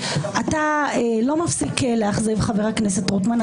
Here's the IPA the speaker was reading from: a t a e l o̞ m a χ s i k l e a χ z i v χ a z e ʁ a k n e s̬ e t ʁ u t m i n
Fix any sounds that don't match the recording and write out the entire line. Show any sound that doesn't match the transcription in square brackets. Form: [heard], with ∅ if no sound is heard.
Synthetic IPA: a t a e l o̞ m a [f] s i k l e a χ z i v χ a [v] e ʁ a k n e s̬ e t ʁ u t m [a] n